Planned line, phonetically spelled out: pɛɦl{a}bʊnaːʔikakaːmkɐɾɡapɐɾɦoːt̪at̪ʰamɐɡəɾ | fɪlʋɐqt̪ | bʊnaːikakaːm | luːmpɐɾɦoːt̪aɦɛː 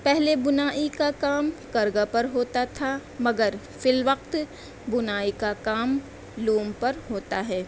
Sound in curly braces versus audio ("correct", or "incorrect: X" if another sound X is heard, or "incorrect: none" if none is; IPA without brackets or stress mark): incorrect: e